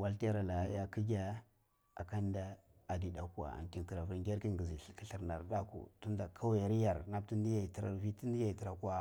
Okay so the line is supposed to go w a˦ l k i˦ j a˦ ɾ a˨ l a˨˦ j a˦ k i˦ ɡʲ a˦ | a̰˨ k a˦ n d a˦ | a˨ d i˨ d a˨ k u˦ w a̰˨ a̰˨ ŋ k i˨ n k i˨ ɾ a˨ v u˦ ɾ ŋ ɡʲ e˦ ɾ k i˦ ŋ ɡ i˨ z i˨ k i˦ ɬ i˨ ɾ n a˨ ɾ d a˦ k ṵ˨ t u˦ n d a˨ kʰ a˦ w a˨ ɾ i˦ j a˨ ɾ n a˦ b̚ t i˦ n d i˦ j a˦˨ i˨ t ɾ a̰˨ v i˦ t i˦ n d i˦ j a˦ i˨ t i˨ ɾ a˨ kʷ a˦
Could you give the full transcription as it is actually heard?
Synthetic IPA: w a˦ l t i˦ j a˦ ɾ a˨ l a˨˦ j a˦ k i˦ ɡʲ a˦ | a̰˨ k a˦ n d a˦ | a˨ d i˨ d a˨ k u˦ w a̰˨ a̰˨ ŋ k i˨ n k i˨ ɾ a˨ v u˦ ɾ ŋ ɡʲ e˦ ɾ k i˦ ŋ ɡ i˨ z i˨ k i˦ ɬ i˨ ɾ n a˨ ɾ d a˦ k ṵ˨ t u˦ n d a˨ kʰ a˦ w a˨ ɾ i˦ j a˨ ɾ n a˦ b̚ t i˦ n d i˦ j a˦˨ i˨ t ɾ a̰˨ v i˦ t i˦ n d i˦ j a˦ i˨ t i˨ ɾ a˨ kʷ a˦